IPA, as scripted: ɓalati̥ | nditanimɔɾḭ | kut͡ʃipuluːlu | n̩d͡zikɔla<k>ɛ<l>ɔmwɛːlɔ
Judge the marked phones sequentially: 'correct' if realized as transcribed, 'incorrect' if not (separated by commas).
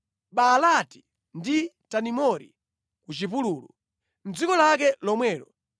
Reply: correct, correct